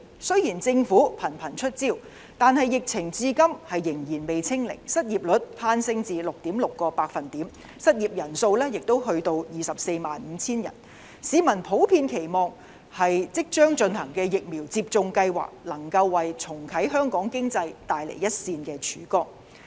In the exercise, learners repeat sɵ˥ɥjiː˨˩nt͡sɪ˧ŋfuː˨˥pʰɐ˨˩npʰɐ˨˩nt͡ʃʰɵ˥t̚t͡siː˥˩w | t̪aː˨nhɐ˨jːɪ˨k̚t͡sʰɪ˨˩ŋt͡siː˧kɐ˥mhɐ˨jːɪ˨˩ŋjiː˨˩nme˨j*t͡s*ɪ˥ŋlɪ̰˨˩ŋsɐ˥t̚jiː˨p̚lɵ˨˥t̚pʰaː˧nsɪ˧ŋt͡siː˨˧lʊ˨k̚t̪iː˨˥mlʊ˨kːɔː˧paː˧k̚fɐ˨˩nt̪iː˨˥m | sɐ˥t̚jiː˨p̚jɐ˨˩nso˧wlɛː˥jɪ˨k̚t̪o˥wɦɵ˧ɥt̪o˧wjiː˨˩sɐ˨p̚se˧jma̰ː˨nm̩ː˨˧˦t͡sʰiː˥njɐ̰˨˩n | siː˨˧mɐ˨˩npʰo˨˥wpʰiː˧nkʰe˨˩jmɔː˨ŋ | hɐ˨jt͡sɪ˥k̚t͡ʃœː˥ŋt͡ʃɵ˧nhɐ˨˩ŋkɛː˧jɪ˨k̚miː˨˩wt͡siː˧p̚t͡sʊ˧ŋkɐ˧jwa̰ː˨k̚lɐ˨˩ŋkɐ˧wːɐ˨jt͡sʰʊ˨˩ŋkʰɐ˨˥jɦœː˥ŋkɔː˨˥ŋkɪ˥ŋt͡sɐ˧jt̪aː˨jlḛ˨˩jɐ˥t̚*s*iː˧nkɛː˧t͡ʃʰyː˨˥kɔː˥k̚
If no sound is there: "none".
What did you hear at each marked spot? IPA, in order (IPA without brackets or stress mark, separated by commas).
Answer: t͡sʰ, s